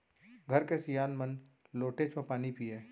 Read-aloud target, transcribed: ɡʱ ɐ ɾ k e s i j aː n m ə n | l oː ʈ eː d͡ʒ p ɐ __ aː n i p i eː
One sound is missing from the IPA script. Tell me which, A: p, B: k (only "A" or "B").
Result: A